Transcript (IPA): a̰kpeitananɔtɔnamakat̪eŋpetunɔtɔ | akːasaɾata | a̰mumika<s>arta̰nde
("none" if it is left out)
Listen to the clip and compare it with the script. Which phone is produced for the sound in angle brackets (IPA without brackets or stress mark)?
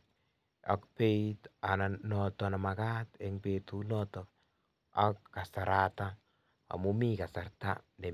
s